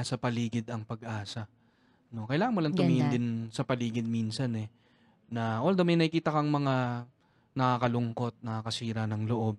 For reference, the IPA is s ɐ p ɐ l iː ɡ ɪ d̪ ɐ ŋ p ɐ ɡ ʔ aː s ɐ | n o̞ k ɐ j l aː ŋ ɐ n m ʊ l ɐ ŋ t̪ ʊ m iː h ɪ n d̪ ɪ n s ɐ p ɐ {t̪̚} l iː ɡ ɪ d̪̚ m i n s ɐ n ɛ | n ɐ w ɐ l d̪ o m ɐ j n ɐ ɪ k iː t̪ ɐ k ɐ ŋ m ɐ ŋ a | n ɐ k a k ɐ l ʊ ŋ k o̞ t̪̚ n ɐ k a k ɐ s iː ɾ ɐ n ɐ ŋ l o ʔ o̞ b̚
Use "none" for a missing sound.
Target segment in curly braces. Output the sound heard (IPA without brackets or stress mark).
none